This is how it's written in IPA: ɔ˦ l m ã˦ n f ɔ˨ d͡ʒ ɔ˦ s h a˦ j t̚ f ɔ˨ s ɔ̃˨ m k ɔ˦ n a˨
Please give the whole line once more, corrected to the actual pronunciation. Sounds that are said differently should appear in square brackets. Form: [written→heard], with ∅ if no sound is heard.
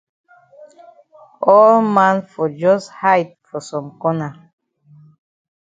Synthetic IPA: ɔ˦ l m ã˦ n f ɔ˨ d͡ʒ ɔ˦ s h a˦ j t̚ f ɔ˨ s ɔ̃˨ m k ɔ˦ n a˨